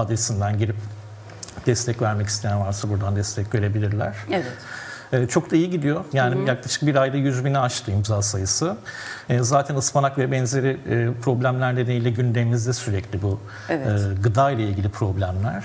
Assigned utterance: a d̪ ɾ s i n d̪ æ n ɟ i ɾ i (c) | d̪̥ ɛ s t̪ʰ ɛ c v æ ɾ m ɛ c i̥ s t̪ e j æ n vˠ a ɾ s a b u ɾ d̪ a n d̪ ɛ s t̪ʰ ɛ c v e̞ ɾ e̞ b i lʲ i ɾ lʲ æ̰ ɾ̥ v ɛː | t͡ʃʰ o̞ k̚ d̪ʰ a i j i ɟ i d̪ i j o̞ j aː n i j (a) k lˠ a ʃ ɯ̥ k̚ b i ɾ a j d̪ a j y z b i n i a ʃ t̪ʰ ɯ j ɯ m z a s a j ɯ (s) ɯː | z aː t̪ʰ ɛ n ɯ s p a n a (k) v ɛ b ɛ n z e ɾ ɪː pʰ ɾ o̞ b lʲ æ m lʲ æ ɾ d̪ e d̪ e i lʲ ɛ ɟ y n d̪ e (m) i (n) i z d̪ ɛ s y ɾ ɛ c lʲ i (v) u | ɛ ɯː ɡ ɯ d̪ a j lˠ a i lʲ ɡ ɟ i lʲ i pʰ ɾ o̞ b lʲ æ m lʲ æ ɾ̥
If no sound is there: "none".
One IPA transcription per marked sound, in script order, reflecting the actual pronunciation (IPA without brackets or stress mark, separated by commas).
p, a, s, k, m, m, b